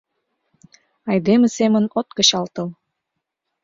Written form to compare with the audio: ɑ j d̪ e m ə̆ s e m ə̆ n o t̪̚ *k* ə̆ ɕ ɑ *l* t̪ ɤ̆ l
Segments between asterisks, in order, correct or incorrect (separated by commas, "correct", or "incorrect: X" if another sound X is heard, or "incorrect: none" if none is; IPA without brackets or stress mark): correct, correct